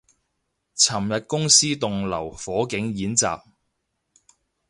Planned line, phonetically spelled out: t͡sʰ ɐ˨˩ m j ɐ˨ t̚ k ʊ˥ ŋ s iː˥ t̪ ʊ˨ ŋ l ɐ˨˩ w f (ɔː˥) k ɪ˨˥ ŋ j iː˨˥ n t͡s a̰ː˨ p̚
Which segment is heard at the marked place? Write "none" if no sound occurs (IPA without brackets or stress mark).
ɔː˨˥